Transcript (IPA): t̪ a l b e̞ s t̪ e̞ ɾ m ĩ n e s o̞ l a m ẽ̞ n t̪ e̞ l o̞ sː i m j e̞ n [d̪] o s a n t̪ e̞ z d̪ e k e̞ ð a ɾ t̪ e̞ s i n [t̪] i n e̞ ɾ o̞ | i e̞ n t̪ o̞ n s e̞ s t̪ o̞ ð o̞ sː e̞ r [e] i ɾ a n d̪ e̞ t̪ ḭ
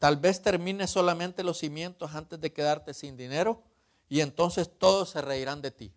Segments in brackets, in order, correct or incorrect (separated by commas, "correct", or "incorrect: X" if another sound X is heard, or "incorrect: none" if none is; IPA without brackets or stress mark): incorrect: t̪, incorrect: d̪, correct